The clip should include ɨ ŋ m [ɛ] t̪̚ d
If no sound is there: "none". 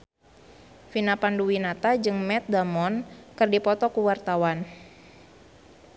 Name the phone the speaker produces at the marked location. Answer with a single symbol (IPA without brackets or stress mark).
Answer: ɛ